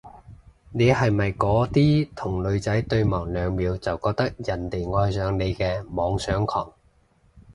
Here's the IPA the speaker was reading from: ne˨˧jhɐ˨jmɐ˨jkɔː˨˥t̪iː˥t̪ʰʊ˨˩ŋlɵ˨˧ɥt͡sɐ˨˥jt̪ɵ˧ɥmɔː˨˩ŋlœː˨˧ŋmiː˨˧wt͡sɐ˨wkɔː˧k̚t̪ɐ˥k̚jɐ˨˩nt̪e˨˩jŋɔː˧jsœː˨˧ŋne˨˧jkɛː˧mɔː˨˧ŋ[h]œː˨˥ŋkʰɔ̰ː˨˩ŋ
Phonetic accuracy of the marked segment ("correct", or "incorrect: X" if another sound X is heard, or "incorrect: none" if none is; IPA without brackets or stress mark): incorrect: s